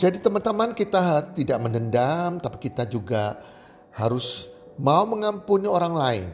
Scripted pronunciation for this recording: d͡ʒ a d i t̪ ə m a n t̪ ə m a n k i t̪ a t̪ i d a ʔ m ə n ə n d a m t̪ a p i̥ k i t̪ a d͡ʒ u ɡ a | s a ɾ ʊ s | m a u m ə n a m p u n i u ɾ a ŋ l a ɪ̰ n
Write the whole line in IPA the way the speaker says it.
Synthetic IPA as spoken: d͡ʒ a d i t̪ ə m a n t̪ ə m a n k i t̪ a t̪ i d a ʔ m ə n ə n d a m t̪ a p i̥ k i t̪ a d͡ʒ u ɡ a | h a ɾ ʊ s | m a u m ə ŋ a m p u n i o ɾ a ŋ l a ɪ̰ n